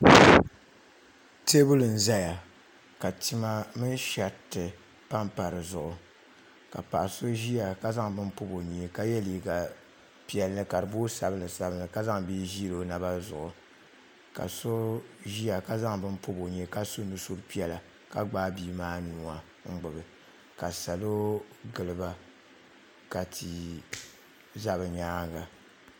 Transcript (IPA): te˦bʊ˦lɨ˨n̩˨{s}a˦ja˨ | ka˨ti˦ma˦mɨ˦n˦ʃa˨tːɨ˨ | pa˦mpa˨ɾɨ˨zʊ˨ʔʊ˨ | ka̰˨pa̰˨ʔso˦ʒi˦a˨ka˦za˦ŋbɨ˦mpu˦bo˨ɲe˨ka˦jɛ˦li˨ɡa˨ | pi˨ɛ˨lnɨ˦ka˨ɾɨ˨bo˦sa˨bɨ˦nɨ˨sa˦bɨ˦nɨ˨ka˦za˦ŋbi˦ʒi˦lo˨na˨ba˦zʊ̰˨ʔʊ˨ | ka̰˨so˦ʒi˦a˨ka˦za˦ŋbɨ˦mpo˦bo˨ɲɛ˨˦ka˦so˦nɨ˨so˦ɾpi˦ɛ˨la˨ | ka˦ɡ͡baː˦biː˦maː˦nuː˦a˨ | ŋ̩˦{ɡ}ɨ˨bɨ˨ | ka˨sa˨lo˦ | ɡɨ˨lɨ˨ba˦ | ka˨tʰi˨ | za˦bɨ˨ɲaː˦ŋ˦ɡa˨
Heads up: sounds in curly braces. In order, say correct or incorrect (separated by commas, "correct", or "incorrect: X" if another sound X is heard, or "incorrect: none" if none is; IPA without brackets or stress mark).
incorrect: z, incorrect: ɡ͡b